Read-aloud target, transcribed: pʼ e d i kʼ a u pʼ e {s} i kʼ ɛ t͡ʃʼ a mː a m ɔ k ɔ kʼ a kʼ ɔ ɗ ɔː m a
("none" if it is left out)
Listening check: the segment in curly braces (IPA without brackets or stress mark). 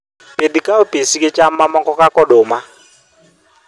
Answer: s